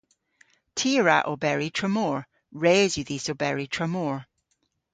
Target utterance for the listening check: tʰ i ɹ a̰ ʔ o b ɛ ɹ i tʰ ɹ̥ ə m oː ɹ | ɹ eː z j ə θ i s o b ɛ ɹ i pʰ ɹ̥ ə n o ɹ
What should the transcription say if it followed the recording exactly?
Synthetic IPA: tʰ i ɹ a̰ ʔ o b ɛ ɹ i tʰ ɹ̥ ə m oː ɹ | ɹ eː z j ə ð i s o b ɛ ɹ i tʰ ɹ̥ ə m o ɹ